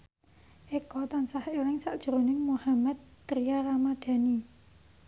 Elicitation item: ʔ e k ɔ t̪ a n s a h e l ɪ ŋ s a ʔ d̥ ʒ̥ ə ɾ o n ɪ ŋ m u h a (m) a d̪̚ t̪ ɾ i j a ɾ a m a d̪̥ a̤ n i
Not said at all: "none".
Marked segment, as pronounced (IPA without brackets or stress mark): m